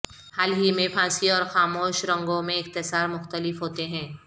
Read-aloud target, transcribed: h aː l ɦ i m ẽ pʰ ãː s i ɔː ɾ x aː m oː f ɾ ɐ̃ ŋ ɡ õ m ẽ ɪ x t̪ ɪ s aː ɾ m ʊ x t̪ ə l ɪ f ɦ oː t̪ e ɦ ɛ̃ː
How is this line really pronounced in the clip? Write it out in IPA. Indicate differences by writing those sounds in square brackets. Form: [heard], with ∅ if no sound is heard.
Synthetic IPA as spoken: h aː l ɦ i m ẽ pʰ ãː s i ɔː ɾ x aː m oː [ʃ] ɾ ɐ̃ ŋ ɡ õ m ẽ ɪ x t̪ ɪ s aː ɾ m ʊ x t̪ ə l ɪ f ɦ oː t̪ e ɦ ɛ̃ː